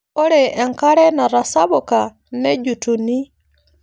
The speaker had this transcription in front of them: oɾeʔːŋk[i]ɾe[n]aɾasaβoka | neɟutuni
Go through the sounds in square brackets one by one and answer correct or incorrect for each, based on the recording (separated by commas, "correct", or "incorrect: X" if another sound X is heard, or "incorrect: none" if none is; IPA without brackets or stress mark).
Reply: incorrect: a, correct